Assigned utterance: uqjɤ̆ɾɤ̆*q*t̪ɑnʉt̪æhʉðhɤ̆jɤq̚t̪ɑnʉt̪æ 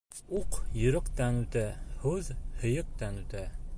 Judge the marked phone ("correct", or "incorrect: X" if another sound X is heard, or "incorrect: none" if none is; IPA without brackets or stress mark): correct